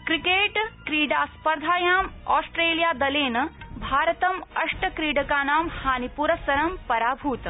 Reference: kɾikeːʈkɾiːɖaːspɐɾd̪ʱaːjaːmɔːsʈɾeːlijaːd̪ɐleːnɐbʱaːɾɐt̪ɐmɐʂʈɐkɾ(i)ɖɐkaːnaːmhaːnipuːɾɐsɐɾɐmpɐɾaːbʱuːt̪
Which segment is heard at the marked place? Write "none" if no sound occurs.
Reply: iː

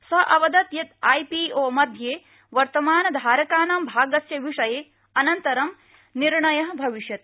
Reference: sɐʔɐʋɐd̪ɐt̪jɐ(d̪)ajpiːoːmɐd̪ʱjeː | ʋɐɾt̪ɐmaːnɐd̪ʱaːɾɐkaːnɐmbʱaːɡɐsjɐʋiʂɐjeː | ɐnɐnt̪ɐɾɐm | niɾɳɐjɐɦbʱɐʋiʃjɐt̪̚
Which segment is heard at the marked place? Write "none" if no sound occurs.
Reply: t̪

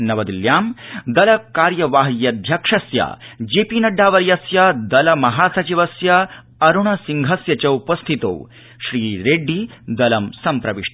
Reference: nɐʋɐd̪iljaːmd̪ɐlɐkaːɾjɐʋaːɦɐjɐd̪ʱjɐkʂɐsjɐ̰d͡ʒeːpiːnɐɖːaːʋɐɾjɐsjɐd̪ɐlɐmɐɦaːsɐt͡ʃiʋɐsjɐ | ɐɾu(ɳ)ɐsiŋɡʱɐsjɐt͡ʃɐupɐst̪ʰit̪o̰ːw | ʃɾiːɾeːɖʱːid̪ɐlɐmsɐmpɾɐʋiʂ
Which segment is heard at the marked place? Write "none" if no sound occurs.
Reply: ɳ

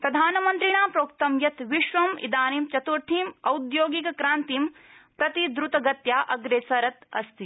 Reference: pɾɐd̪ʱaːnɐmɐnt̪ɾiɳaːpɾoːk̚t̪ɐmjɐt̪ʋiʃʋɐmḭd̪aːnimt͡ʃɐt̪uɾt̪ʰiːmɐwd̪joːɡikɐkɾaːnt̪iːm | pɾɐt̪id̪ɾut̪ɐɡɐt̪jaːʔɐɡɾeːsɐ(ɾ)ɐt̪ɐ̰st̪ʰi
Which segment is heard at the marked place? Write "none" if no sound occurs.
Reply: ɾ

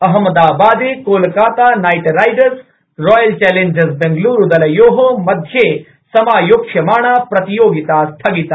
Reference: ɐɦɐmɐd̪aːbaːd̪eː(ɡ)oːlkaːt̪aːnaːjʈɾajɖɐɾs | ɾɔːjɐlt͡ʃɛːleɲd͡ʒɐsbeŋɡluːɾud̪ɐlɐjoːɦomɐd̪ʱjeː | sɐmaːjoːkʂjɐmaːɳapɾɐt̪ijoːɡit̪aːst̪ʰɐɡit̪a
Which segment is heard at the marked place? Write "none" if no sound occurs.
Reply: k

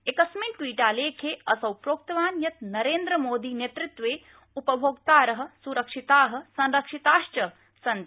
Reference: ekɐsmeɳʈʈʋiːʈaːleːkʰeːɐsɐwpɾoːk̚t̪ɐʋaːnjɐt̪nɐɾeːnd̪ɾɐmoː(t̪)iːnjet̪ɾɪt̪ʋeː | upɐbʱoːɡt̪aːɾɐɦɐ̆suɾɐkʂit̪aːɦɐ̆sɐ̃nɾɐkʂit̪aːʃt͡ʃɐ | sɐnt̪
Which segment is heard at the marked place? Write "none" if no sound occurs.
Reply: d̪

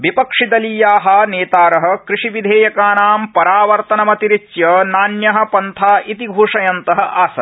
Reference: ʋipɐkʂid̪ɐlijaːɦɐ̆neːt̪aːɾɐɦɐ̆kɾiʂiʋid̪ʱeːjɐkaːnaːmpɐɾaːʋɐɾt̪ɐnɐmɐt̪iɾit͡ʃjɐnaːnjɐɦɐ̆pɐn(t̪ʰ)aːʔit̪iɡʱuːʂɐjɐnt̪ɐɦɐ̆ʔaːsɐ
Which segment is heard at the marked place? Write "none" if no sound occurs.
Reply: t̪ʰ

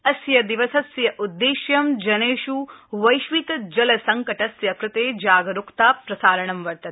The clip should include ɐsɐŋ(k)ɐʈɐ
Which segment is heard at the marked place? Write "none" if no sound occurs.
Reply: k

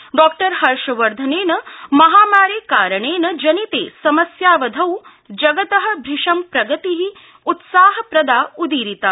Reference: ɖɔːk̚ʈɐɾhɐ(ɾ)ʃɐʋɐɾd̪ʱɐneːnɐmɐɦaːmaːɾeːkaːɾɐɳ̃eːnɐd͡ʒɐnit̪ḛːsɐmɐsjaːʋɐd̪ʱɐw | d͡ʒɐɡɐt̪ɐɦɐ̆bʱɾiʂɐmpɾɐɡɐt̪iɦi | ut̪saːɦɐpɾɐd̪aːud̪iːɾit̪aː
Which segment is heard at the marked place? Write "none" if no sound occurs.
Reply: ɾ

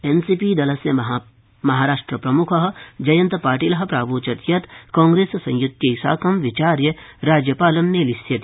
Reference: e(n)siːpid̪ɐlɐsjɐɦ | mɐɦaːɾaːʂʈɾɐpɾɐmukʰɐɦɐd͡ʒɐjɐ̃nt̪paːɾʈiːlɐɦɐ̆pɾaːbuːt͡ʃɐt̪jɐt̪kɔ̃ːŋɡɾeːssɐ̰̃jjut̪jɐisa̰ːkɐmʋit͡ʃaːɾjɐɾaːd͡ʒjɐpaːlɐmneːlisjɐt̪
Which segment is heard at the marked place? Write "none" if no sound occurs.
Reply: n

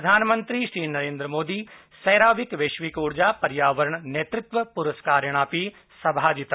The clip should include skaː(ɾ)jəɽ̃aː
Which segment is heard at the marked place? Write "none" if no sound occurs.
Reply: ɾ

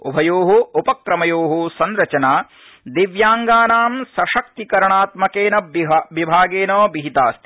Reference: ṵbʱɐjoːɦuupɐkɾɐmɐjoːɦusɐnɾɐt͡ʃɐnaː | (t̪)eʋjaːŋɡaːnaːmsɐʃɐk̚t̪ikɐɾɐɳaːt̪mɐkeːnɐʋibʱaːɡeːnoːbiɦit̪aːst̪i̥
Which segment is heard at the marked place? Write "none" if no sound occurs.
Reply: d̪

